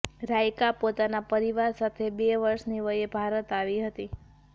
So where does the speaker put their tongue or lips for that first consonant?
tongue tip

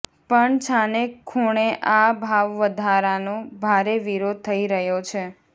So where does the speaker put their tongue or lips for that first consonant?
lips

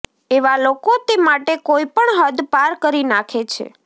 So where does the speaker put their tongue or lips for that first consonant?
lips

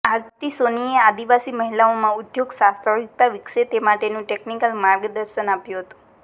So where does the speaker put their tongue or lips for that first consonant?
tongue tip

